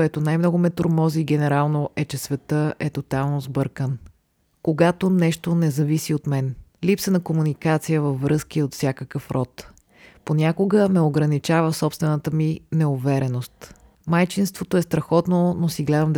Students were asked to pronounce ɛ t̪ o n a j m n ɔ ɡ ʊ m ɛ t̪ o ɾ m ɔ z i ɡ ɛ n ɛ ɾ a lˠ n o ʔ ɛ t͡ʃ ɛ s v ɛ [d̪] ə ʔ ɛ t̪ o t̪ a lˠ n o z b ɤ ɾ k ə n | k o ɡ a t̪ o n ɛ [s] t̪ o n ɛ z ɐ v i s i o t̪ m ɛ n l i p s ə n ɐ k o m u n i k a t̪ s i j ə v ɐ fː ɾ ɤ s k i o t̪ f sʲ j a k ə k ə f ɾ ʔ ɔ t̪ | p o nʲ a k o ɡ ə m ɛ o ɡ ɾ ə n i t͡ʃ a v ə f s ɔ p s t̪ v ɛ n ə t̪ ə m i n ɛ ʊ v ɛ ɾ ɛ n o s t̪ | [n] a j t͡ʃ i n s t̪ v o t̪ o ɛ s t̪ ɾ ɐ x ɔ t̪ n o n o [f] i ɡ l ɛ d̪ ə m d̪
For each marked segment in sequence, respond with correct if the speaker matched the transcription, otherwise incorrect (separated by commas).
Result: incorrect, incorrect, incorrect, incorrect